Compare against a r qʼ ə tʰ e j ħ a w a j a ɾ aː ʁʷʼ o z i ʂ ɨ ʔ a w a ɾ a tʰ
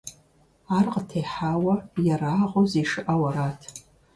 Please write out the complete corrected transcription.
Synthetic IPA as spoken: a r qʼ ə tʰ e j ħ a w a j a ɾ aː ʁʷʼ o z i ʂ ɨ ʔ a w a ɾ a tʰ